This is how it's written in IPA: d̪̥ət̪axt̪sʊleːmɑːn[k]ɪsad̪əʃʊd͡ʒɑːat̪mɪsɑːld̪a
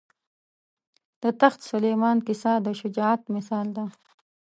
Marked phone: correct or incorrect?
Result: correct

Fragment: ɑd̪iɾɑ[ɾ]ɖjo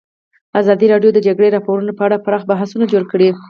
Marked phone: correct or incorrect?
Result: incorrect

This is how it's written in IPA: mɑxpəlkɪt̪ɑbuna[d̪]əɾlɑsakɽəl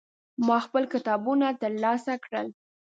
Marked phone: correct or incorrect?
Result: incorrect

